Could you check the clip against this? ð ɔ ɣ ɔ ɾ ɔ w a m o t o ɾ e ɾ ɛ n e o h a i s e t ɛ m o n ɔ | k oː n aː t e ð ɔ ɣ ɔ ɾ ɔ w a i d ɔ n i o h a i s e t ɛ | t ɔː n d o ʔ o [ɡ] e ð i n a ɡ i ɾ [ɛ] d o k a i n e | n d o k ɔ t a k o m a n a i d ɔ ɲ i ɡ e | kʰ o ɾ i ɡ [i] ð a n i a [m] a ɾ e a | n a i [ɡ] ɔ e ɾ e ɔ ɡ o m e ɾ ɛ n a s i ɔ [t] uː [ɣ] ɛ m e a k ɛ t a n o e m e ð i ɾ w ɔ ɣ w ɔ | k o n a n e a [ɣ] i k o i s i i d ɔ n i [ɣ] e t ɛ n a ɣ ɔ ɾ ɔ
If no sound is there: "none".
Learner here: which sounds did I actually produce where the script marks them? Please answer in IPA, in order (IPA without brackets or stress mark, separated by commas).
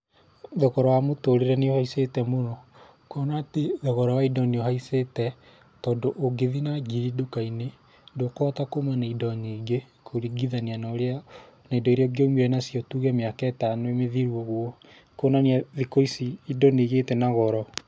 ɡ, i, i, n, d, t, ɣ, ð, ɣ